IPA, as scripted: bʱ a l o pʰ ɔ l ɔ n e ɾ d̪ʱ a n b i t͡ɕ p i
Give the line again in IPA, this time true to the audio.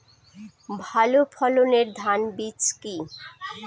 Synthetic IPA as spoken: bʱ a l o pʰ ɔ l o n e ɾ d̪ʱ a n b i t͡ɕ k i

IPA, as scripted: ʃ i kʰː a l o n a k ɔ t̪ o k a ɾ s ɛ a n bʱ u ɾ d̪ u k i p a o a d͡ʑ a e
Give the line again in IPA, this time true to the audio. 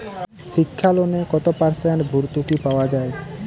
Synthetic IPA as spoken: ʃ i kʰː a l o n e k ɔ t̪ o p a ɾ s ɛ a n bʱ u ɾ t̪ u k i p a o a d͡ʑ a e

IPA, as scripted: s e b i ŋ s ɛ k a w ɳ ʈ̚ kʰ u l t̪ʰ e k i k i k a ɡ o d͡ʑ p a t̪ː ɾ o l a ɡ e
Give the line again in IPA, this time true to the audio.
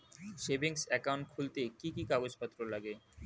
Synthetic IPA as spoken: ʃ e b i ŋ s ɛ k a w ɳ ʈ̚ kʰ u l t̪ e k i k i k a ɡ o d͡ʑ p a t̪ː ɾ o l a ɡ e

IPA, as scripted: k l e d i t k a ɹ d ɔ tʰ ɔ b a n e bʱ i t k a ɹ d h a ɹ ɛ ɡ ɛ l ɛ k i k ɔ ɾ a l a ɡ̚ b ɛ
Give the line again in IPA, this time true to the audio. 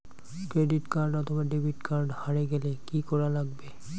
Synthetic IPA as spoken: k ɹ e d i t k a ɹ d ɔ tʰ ɔ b a d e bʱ i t k a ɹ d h a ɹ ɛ ɡ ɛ l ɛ k i k ɔ ɹ a l a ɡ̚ b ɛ

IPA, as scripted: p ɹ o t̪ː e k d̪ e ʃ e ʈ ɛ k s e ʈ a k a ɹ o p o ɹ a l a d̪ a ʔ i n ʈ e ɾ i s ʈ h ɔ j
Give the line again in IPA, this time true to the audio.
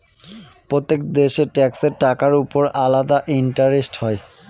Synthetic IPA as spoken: p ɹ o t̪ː e k d̪ e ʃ e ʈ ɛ k s e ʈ a k a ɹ u p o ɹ a l a d̪ a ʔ i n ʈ a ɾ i s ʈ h ɔ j

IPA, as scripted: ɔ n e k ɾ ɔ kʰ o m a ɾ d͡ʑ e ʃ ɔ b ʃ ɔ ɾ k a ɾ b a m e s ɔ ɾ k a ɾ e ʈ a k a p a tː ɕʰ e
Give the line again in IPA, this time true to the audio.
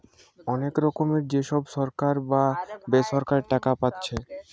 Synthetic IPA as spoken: ɔ n e k ɾ ɔ k o m e ɾ d͡ʑ e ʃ ɔ b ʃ ɔ ɾ k a ɾ b a b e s ɔ ɾ k a ɾ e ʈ a k a p a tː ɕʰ e

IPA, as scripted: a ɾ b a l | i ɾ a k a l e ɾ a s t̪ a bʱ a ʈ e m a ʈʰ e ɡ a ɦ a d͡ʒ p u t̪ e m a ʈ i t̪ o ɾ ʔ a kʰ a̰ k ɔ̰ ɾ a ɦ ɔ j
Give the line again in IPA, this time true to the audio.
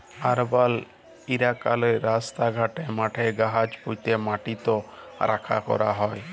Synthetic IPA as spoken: a ɾ b a l | i ɾ a k a l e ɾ a s t̪ a ɡʱ a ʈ e m a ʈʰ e ɡ a ɦ a d͡ʒ p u t̪ e m a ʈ i t̪ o ɾ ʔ a kʰ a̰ k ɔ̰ ɾ a ɦ ɔ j

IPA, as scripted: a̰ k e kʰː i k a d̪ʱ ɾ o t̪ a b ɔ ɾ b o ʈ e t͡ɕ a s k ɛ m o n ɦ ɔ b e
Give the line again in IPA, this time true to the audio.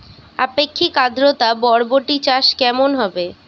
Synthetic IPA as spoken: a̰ p e kʰː i k a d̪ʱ ɾ o t̪ a b ɔ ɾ b o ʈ i t͡ɕ a ʃ k ɛ m o n ɦ ɔ b e

